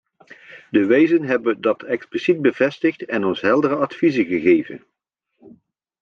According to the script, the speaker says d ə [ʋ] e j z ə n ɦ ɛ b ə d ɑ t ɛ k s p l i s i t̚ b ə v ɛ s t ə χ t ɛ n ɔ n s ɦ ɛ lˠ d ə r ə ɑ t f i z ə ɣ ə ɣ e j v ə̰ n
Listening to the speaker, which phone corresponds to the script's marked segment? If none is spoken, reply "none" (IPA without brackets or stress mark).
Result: ʋ